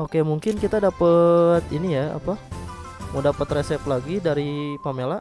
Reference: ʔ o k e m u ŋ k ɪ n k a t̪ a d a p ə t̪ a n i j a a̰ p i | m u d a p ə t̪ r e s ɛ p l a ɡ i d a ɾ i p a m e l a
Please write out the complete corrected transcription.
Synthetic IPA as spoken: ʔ o k e m u ŋ k ɪ n k i t̪ a d a p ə t̪ i n i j a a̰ p a | m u d a p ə t̪ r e s ɛ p l a ɡ i d a ɾ i p a m e l a